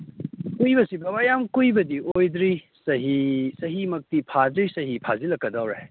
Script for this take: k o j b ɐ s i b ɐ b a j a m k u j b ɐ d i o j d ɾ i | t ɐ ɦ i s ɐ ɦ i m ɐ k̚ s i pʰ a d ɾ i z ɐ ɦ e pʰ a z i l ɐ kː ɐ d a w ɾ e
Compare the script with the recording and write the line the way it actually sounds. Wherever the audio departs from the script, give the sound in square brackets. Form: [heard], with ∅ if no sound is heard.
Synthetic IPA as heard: k [u] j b ɐ s i b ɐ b a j a m k u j b ɐ d i o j d ɾ i | [s] ɐ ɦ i s ɐ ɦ i m ɐ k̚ [t] i pʰ a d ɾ i [s] ɐ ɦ [i] pʰ a z i l ɐ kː ɐ d a w ɾ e